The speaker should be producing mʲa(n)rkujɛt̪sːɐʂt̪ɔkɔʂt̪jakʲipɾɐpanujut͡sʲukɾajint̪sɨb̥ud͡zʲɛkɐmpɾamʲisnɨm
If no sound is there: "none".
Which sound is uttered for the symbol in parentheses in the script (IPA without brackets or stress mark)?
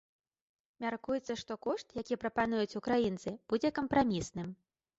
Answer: none